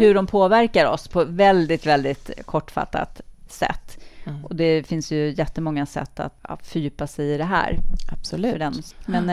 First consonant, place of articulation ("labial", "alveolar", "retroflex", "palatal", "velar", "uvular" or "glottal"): glottal